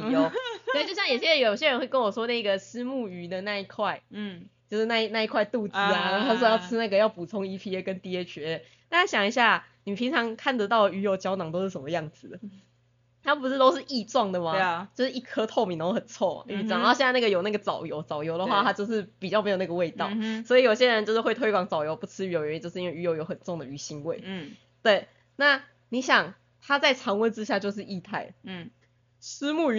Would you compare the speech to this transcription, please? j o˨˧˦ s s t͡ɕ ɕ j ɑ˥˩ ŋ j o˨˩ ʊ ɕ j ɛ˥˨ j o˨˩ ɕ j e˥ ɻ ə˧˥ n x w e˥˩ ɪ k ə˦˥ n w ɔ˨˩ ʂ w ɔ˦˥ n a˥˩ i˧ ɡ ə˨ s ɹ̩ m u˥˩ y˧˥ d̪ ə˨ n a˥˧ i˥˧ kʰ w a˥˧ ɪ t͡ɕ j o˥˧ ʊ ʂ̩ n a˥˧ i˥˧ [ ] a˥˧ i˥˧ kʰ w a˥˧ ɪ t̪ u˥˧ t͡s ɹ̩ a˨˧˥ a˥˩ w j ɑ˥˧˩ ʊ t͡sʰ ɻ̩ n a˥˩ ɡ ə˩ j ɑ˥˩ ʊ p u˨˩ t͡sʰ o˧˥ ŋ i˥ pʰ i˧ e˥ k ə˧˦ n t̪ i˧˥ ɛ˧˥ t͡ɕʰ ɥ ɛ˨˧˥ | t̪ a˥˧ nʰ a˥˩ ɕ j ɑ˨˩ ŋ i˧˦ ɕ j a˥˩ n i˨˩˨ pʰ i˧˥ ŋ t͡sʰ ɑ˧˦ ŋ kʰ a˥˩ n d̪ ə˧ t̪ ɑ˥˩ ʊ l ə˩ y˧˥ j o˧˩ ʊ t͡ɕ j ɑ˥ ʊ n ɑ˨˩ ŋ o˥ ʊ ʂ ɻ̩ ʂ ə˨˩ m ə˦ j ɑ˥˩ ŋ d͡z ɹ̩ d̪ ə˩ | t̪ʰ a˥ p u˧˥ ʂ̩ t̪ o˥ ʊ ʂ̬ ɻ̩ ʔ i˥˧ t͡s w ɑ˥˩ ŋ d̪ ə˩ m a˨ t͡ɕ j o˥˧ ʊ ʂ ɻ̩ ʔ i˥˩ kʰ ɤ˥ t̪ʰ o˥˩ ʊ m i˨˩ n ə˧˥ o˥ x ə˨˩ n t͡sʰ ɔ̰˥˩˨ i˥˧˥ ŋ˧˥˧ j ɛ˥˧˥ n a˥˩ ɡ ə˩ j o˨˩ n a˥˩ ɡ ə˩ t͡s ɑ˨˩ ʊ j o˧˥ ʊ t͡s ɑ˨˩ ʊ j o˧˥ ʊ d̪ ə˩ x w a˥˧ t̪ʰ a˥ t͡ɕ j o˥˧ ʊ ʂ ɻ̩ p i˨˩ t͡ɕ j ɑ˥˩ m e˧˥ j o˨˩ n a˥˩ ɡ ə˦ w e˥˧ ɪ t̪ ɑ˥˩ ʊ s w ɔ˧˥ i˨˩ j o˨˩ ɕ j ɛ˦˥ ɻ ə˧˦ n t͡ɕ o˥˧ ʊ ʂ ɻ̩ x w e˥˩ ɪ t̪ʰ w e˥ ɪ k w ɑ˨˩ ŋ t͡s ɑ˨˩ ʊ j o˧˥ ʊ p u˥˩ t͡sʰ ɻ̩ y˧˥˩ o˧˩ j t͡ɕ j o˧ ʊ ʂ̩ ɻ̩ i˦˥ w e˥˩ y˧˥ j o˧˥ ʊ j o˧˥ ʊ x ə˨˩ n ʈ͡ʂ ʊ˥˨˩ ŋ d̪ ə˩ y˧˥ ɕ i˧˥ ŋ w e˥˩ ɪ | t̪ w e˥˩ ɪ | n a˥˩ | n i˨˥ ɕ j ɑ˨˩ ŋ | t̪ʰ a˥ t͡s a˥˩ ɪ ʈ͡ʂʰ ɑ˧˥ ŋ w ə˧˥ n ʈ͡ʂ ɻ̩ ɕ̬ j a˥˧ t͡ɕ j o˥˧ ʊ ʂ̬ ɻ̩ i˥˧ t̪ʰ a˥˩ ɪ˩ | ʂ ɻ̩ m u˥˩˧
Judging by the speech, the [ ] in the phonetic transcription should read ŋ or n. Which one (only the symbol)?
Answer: n